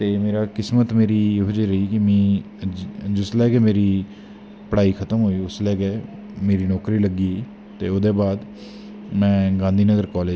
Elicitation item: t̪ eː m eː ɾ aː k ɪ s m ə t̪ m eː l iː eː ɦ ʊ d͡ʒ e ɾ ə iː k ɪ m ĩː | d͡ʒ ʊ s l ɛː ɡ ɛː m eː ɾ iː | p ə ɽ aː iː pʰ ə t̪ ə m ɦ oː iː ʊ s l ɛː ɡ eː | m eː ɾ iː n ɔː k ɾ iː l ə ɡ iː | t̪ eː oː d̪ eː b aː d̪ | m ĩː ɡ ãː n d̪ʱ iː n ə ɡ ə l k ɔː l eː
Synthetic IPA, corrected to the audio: t̪ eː m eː ɾ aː k ɪ s m ə t̪ m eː ɾ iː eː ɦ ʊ d͡ʒ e ɾ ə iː k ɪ m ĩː | d͡ʒ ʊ s l ɛː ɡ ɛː m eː ɾ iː | p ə ɽ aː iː kʰ ə t̪ ə m ɦ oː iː ʊ s l ɛː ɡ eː | m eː ɾ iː n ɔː k ɾ iː l ə ɡ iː | t̪ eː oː d̪ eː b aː d̪ | m ɛ̃ː ɡ ãː n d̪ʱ iː n ə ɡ ə ɾ k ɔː l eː